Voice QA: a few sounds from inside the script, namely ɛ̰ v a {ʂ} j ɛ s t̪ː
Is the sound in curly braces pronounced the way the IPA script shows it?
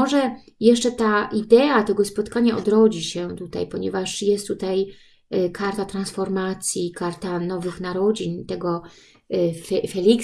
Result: yes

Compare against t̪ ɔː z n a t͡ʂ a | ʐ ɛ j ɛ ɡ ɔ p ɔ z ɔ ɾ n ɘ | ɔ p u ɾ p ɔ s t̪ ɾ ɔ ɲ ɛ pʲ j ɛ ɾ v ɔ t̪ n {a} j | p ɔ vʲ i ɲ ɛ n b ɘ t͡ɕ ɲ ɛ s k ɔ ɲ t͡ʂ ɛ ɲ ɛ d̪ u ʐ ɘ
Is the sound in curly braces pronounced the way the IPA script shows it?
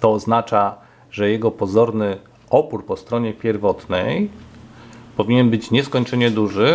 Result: no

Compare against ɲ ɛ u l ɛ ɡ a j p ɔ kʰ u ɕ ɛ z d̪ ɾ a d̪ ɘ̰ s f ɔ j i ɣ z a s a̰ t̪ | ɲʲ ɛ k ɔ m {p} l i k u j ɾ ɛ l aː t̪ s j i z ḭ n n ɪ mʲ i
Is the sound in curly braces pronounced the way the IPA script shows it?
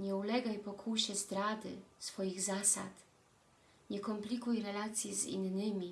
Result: yes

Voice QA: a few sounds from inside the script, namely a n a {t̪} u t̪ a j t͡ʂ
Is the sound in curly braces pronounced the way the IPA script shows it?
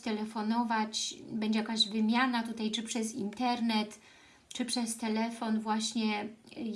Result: yes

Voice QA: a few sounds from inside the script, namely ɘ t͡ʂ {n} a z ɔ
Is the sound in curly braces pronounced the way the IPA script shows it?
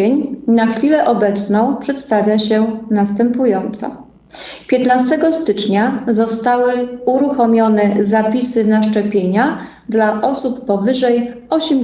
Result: no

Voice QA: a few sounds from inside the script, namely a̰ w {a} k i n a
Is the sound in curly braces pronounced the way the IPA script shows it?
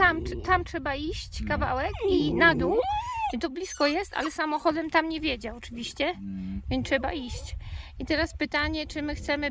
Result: no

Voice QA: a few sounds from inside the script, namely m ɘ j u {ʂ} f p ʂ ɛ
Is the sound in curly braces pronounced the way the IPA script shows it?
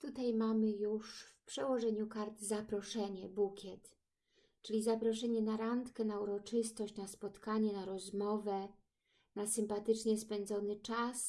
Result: yes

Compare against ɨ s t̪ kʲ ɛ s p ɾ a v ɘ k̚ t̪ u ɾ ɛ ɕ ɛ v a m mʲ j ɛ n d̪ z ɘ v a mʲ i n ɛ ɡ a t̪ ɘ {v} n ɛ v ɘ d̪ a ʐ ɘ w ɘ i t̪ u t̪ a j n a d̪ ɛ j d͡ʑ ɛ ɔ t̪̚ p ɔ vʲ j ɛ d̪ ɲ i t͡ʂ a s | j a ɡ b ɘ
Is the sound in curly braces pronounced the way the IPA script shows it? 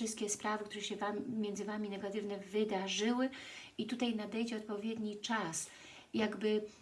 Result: yes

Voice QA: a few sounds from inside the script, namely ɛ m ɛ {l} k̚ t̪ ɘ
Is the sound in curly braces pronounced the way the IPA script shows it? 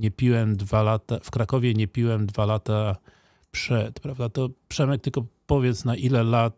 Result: no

